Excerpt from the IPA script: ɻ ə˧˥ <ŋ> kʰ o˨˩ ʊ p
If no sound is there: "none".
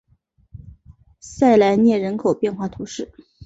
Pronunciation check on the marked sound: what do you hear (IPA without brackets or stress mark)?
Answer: n